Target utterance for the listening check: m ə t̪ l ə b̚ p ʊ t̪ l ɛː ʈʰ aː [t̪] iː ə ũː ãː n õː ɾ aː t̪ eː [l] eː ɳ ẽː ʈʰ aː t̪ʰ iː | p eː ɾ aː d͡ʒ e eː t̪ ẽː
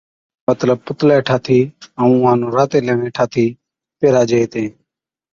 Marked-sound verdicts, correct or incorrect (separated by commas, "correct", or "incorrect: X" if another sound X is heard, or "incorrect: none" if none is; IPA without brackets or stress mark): incorrect: t̪ʰ, correct